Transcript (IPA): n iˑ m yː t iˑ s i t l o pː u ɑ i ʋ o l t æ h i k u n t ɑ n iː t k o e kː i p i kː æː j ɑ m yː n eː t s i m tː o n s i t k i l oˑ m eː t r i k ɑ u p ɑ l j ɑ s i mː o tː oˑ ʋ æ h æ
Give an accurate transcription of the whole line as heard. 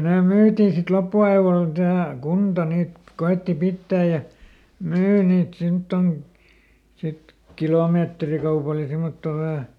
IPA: n eˑ m yː t iˑ s i t l o pː u ɑ i ʋ o l t æ h æ k u n t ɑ n iː t k o e tː i p i tː æː j ɑ m yː n iː t s i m tː o n s i t k i l oˑ m eː t r i k ɑ u p ɑ l j ɑ s i mː o tː oˑ ʋ æ h æ

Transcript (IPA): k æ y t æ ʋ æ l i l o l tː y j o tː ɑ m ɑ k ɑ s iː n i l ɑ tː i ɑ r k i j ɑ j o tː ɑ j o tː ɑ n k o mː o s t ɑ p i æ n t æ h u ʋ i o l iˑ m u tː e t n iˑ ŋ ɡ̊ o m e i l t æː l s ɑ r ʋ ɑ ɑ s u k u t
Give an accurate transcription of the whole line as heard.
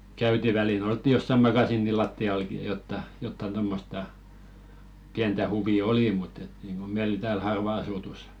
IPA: k æ y t i ʋ æ l i l o l tː i j o sː ɑ m ɑ k ɑ s iː n i l ɑ tː i ɑ l k i j ɑ j o tː ɑ j o tː ɑ n t o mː o s t ɑ p i æ n t æ h u ʋ i o l iˑ m u tː e t n iˑ ŋ ɡ̊ o m e i l t æː l h ɑ r ʋ ɑ ɑ s u t u s

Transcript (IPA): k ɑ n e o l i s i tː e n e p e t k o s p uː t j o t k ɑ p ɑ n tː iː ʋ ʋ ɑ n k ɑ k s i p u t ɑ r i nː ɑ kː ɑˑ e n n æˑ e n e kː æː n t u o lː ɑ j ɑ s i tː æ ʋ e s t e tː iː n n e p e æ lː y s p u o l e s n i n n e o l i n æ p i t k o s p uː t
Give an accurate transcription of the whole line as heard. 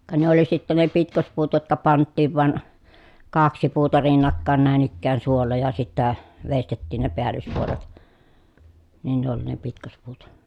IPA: k ɑ n e o l i s i tː e n e p i t k o s p uː t j o t k ɑ p ɑ n tː iː ʋ ʋ ɑ n k ɑ k s i p uː t ɑ r i nː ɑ kː ɑˑ e n n æˑ e n i kː æː n s u o lː ɑ j ɑ s i tː æ ʋ e s t e tː iː n n e p e æ lː y s p u o l e t n i n n e o l i n e p i t k o s p uː t

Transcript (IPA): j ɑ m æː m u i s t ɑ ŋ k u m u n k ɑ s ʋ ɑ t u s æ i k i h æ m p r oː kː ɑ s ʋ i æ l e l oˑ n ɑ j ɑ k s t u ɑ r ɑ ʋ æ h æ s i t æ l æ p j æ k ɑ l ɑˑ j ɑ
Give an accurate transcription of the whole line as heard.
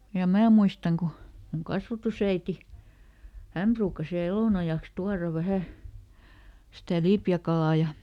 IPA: j ɑ m æː m u i s t ɑ ŋ k u m u ŋ k ɑ s ʋ ɑ t u s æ i t i h æ m p r uː kː ɑ s ʋ i æ l e l oˑ n ɑ j ɑ k s t u ɑ r ɑ ʋ æ h æ s i t æ l i p j æ k ɑ l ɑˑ j ɑ

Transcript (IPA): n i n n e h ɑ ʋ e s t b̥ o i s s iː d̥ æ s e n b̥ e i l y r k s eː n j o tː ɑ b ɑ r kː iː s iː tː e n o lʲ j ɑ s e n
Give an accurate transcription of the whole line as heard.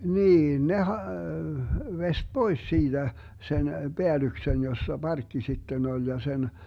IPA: n iː n n e h ɑ ʋ e s t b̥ o i s s iː d̥ æ s e n b̥ e æ l y k s e n j o sː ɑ b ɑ r kː i s i tː e n o lʲ j ɑ s e n

